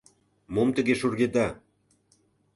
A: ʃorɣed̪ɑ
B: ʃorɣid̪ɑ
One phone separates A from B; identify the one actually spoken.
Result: A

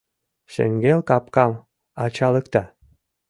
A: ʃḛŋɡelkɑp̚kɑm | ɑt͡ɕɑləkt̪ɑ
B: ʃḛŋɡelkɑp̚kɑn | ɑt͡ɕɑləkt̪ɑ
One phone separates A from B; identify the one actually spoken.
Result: A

